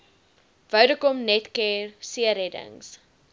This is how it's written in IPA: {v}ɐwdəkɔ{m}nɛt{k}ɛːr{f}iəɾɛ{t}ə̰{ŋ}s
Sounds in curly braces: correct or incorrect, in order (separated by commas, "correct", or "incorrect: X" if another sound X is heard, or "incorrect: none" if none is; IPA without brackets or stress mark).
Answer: correct, correct, correct, incorrect: s, incorrect: d, correct